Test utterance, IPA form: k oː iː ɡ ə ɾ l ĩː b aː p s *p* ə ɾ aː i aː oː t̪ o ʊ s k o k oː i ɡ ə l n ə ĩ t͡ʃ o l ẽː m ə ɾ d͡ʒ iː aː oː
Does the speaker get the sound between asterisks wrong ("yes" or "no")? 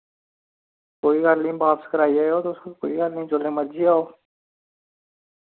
yes